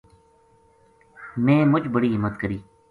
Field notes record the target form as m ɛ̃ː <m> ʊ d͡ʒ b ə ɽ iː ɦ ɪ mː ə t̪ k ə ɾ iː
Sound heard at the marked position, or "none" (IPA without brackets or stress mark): m